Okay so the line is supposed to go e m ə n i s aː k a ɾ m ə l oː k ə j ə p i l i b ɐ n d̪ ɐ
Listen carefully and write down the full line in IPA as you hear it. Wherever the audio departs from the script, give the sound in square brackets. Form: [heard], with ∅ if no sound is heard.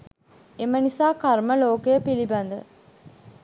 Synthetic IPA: e m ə n i s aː k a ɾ m ə l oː k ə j ə p i l i b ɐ n d̪ [ə]